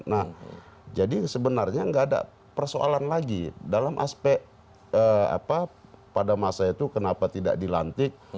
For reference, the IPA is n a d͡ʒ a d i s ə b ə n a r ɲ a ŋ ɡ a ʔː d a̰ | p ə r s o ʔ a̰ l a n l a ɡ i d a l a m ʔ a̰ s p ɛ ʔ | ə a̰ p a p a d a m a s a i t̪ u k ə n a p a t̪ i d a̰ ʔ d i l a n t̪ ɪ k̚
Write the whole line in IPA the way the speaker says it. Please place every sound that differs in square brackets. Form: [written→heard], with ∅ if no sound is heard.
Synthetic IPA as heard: n a d͡ʒ a d i s ə b ə n a r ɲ a ŋ ɡ a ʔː d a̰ | p ə r s o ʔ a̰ l a n l a ɡ i d a l a m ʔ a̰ s p ɛ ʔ | ə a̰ p a p a d a m a s a i t̪ u k ə n a p a t̪ i d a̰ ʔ d i l a n t̪ ɪ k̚